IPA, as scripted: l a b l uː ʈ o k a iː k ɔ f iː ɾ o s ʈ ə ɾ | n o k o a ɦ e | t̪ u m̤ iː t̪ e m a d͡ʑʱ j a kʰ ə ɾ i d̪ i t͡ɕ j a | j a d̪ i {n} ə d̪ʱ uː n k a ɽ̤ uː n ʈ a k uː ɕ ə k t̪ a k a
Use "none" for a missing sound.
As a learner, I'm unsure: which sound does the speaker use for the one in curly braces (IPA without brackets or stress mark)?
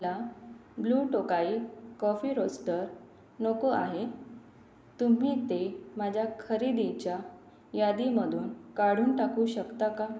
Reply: m